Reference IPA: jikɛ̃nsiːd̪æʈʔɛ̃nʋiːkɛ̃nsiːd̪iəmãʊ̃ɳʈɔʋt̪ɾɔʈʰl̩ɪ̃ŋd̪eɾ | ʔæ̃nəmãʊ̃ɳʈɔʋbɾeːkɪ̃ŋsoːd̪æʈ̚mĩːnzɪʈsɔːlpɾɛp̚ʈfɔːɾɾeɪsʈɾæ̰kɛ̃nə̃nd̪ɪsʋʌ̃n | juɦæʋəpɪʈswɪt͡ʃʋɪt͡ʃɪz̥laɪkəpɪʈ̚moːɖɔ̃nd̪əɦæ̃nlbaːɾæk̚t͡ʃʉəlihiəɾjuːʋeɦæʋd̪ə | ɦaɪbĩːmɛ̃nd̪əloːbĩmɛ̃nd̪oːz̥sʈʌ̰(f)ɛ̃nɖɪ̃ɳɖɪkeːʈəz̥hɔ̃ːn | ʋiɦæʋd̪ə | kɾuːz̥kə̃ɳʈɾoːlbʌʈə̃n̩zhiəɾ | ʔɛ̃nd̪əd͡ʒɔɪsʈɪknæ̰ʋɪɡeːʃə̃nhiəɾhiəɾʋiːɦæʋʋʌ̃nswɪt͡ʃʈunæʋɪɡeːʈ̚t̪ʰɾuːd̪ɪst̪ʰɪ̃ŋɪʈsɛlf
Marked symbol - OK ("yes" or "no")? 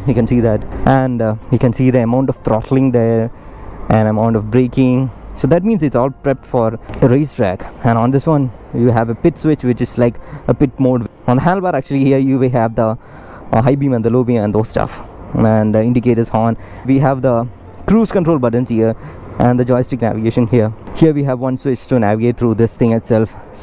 yes